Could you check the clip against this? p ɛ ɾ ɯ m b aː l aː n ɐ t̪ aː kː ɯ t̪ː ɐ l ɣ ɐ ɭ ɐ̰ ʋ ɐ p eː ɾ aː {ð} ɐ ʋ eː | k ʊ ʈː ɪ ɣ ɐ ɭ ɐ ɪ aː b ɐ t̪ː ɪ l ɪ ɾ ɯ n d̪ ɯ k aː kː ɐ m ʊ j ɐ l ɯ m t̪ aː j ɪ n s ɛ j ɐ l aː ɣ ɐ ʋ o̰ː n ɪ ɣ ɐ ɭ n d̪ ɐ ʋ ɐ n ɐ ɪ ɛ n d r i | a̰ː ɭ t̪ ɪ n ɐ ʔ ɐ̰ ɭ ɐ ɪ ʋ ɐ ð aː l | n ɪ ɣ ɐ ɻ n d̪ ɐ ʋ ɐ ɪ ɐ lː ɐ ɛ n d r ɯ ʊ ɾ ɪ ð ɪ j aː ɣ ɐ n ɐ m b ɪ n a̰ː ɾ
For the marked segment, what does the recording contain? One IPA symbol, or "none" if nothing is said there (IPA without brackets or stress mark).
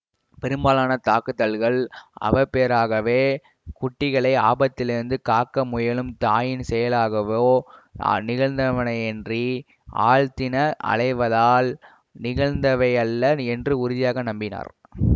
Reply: ɣ